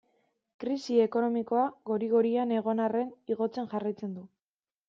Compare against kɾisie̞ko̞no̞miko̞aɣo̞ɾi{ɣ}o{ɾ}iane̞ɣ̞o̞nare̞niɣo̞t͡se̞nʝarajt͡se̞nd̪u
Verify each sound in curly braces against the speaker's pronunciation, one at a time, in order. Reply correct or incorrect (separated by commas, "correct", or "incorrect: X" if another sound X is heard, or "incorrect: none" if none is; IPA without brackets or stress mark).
correct, correct